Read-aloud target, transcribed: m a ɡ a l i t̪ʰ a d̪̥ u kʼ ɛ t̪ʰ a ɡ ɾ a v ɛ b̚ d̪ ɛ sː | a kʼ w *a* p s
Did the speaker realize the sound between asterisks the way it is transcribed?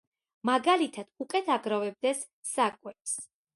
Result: no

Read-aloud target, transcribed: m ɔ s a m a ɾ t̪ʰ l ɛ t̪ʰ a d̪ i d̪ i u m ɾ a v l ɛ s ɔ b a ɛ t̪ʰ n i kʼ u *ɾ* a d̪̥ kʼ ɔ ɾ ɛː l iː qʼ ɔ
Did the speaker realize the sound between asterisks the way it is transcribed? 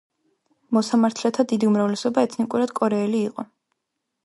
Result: yes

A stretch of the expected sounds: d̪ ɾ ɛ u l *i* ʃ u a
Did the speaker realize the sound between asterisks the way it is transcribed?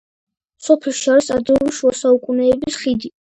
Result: yes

